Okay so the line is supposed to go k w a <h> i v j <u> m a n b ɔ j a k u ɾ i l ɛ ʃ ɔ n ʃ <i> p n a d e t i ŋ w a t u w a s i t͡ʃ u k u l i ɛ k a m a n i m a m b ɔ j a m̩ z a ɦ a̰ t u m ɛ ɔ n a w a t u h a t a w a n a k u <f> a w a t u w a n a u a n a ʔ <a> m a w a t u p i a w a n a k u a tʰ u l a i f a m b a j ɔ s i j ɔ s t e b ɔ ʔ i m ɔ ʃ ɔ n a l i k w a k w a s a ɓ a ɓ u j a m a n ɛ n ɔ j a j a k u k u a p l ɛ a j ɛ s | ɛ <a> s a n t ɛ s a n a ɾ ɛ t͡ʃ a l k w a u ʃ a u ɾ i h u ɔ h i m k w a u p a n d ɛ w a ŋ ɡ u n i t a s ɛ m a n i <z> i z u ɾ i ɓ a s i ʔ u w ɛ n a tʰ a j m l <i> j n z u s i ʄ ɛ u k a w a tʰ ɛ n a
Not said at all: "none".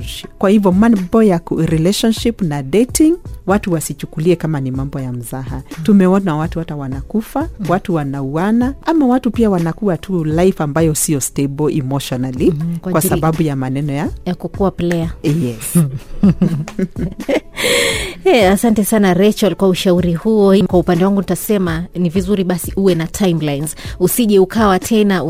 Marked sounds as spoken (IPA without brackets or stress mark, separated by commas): h, ɔ, i, f, a, a, v, a